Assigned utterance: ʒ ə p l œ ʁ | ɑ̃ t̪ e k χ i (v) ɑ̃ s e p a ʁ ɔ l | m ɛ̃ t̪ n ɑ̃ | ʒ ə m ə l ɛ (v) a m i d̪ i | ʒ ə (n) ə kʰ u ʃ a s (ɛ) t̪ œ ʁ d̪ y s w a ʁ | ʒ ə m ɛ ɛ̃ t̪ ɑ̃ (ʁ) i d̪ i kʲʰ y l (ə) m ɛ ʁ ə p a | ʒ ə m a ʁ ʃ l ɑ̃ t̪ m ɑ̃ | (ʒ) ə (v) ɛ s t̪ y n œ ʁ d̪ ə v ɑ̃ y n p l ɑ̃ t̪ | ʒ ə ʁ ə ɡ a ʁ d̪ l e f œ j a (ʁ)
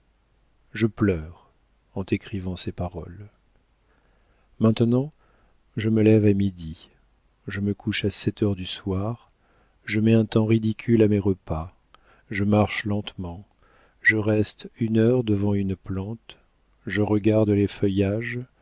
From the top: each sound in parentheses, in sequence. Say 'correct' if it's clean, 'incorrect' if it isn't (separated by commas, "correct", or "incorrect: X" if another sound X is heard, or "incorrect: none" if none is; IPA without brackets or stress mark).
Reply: correct, correct, incorrect: m, correct, correct, incorrect: a, correct, incorrect: ʁ, incorrect: ʒ